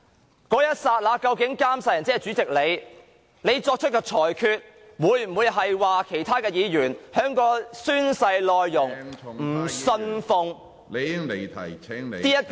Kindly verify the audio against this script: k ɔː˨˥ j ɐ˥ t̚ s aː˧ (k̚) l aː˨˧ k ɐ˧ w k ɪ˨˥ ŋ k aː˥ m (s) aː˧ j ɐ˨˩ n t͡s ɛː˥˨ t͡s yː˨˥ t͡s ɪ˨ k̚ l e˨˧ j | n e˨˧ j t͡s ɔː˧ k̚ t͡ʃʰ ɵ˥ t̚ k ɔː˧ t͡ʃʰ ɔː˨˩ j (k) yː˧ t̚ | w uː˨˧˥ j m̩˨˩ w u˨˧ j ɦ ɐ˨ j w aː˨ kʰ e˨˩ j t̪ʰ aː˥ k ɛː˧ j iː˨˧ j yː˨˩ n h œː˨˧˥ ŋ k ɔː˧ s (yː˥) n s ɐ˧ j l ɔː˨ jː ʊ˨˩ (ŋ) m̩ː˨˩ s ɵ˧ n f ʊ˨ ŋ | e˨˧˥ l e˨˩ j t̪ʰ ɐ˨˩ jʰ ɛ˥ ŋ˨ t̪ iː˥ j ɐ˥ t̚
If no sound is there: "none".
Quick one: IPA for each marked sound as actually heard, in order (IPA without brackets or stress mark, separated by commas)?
t̚, s, kʰ, yː˥, ŋ